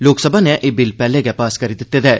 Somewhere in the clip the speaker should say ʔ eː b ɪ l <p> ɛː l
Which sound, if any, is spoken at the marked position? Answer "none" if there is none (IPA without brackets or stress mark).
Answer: p